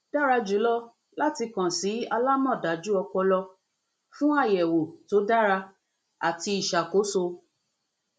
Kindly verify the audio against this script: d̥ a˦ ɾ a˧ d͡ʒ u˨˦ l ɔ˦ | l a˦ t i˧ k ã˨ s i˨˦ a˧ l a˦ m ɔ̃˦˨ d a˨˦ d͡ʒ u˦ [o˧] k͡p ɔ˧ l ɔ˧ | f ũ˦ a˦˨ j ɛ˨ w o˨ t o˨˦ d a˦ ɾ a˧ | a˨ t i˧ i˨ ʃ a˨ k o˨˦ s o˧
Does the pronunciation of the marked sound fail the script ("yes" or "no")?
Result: yes